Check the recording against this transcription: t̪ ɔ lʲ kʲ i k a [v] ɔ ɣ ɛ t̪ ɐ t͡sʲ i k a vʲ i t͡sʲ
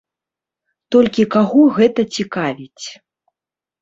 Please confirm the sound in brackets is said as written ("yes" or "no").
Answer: no